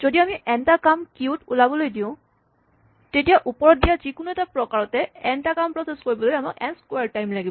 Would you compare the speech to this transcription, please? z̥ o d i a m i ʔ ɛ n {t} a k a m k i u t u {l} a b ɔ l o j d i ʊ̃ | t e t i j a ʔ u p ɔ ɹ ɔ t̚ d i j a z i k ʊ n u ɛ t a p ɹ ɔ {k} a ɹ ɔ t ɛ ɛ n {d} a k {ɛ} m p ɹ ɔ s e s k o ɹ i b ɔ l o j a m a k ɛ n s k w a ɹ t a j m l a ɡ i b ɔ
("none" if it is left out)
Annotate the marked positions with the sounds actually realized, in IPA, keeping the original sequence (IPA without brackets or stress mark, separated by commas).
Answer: t, l, k, t, a